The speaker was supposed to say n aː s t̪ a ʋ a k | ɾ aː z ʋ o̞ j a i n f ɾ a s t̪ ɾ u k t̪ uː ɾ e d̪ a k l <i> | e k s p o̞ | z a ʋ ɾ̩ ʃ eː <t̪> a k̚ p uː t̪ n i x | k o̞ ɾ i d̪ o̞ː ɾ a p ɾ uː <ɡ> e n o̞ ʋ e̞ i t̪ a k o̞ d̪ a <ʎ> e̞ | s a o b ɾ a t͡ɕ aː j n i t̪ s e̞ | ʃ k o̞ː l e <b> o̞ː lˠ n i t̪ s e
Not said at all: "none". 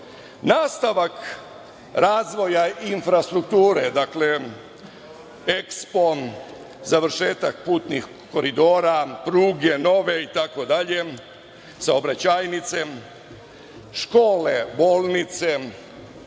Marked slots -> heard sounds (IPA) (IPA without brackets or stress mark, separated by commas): e, t̪, ɡ, ʎ, b